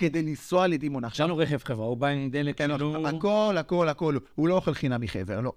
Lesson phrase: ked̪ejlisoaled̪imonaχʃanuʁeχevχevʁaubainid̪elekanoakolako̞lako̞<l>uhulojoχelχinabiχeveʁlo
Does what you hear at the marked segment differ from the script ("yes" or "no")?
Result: no